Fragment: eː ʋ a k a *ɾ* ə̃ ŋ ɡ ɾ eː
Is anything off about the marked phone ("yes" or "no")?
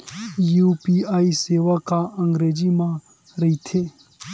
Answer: yes